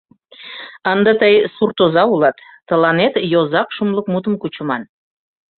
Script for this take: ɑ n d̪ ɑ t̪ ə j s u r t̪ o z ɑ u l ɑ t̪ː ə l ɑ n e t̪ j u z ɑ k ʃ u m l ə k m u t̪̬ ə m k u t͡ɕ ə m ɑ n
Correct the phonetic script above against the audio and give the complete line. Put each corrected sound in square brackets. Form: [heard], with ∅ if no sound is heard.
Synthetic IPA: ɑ n d̪ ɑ t̪ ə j s u r t̪ o z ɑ u l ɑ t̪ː ə l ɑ n e t̪ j [o] z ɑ k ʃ u m l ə k m u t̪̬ ə m k u t͡ɕ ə m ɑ n

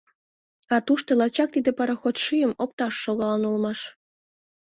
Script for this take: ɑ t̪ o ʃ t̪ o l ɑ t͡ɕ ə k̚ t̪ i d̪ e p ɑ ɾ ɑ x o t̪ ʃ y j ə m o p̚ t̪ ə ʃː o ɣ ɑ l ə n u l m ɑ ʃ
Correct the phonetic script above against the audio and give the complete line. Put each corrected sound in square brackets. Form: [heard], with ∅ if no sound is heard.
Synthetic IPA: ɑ t̪ [u] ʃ t̪ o l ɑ t͡ɕ [ɑ] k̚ t̪ i d̪ e p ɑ ɾ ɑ x o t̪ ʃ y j ə m o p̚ t̪ [ɑ] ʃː o ɣ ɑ l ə n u l m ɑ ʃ

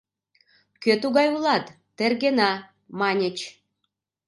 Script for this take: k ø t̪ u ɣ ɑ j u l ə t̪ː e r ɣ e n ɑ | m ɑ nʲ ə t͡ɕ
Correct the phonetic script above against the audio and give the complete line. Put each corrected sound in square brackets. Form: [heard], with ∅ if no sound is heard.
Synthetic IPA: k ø t̪ u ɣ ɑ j u l [ɑ] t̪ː e r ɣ e n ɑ | m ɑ nʲ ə t͡ɕ

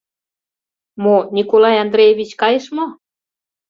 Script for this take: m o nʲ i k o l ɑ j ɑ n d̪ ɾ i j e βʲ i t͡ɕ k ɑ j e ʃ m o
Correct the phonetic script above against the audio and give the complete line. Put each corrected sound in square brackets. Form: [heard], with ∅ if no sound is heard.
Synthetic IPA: m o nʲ i k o l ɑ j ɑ n d̪ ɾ [e] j e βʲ i t͡ɕ k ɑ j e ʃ m o

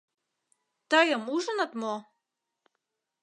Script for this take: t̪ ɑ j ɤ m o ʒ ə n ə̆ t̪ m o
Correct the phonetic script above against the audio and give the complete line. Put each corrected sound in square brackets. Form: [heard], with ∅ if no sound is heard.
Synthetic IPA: t̪ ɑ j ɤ m [u] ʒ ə n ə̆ t̪ m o

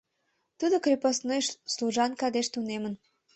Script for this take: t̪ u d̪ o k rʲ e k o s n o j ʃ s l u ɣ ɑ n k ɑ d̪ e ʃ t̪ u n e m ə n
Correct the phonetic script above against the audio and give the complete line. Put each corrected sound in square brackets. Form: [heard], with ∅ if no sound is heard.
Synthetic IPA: t̪ u d̪ o k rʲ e [p] o s n o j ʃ s l u [ʒ] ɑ n k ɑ d̪ e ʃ t̪ u n e m ə n

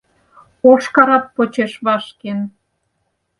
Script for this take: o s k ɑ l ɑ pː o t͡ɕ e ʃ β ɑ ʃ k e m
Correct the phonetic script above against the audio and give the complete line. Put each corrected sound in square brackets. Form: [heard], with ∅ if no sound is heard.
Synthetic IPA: o [ʃ] k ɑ [ɾ] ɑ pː o t͡ɕ e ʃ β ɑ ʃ k e [n]

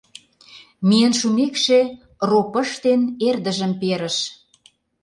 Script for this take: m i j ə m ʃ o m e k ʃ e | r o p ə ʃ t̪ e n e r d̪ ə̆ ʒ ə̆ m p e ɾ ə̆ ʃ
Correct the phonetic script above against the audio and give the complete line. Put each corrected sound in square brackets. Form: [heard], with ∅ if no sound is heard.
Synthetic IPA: m i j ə [n] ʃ [u] m e k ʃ e | r o p ə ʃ t̪ e n e r d̪ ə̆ ʒ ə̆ m p e ɾ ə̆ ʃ

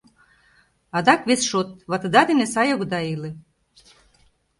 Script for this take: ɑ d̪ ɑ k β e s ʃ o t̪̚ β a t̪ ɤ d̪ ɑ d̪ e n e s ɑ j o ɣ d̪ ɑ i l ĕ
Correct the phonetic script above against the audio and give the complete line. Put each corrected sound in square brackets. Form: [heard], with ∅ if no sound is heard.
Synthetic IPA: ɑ d̪ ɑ k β e s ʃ o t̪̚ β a t̪ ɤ d̪ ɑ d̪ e n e s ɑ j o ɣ d̪ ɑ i l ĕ

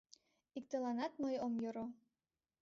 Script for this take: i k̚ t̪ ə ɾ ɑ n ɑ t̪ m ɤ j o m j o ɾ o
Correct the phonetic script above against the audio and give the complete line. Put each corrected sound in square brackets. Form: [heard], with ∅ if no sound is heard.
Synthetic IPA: i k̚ t̪ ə [l] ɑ n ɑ t̪ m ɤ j o m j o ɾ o

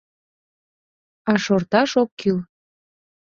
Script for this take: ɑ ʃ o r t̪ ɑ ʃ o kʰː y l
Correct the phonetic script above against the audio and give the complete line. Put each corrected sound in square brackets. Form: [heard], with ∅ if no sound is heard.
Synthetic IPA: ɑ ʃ o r t̪ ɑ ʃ o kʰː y l

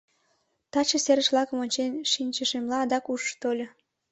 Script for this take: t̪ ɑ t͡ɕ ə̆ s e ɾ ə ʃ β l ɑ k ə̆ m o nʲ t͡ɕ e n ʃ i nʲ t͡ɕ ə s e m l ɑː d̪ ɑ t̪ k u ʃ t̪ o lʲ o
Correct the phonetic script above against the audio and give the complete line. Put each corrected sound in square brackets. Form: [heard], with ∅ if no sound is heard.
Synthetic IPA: t̪ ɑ t͡ɕ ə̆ s e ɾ ə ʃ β l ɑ k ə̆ m o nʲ t͡ɕ e n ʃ i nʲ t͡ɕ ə [ʃ] e m l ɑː d̪ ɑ [∅] k u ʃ t̪ o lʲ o

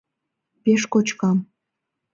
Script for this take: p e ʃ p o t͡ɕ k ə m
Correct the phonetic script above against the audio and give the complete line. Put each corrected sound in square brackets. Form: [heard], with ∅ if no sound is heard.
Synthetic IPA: p e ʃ [k] o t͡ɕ k [ɑ] m

